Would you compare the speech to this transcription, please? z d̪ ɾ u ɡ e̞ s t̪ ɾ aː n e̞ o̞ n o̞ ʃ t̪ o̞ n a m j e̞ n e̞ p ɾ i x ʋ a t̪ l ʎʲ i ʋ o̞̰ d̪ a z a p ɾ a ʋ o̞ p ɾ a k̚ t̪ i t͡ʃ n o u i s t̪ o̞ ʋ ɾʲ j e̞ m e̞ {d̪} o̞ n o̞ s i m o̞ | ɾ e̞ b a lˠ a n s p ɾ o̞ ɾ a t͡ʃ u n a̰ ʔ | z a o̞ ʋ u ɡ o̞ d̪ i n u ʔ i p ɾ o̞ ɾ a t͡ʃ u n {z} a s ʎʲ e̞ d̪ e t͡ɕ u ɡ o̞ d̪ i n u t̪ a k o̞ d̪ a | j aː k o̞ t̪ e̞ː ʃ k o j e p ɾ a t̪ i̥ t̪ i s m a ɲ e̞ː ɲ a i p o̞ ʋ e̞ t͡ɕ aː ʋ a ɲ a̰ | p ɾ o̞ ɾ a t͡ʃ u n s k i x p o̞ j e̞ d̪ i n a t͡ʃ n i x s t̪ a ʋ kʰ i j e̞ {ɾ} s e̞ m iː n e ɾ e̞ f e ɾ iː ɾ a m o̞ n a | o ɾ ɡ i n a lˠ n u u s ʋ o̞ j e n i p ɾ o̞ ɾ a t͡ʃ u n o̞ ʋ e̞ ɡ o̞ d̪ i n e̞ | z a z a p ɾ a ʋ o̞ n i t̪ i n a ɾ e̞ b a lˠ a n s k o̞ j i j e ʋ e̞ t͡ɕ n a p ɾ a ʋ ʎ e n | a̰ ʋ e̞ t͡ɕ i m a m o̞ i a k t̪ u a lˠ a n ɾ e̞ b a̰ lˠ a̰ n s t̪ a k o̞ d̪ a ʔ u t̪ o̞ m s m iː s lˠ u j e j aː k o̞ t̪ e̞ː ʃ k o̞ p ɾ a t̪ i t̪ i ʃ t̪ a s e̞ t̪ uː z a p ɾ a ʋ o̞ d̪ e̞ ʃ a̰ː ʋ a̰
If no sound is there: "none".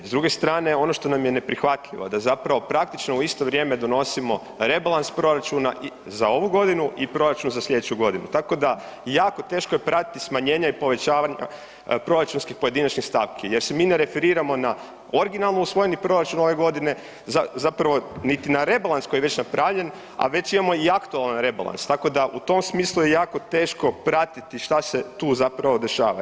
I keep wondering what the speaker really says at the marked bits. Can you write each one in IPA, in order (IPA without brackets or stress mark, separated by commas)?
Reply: d̪, z, ɾ